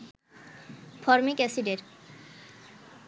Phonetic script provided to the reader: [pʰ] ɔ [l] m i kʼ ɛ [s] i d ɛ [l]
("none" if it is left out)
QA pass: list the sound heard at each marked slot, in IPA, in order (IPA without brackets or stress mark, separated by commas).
pʰ, ɾ, s, ɾ